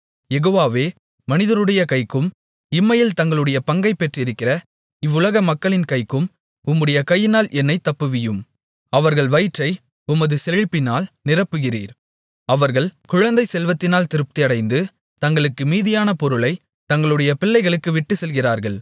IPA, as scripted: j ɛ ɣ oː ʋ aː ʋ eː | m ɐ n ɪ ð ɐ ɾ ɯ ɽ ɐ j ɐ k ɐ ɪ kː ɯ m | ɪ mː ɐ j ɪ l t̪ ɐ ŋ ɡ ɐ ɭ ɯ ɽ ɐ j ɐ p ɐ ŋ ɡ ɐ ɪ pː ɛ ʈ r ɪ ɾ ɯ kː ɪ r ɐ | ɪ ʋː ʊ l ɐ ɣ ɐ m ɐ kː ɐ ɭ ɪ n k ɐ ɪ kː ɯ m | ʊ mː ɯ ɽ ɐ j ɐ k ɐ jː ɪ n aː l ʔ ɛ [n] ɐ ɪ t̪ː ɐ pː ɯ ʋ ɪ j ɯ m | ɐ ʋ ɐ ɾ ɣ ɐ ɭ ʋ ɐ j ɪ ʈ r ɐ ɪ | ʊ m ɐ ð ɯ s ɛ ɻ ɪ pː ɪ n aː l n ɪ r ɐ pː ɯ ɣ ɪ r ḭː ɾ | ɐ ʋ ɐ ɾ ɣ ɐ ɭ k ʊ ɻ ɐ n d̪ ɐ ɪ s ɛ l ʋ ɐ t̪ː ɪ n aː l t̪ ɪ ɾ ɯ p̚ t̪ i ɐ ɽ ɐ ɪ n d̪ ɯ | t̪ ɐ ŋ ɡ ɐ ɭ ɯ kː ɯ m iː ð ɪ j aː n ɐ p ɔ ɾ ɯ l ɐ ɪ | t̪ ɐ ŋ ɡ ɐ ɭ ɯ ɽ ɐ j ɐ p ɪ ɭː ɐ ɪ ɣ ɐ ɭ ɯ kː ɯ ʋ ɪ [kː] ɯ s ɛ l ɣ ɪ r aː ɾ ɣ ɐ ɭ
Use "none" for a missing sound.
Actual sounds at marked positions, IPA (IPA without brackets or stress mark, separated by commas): nː, ʈː